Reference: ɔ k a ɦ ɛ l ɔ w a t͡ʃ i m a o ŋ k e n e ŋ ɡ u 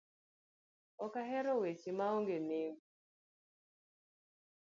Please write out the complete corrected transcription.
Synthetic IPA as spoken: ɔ k a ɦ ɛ ɾ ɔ w e t͡ʃ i m a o ŋ ɡ e n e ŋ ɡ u

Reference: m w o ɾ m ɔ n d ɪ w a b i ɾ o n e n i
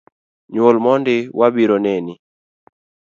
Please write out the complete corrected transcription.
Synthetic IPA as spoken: ɲ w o l m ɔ n d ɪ w a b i ɾ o n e n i

